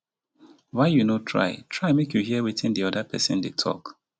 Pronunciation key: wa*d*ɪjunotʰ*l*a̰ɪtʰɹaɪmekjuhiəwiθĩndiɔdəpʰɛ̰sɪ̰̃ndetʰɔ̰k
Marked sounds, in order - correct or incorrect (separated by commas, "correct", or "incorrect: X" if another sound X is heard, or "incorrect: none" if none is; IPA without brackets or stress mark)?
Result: incorrect: none, incorrect: ɹ